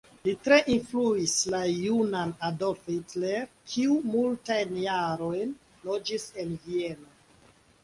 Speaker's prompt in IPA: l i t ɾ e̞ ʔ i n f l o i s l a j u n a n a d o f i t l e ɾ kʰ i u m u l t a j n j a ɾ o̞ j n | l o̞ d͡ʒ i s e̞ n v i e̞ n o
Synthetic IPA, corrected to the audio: l i t ɾ e̞ ʔ i n f l u i s l a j u n a n a d o f i t l e ɾ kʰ i u m u l t a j n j a ɾ o̞ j n | l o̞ d͡ʒ i s e̞ n v i e̞ n o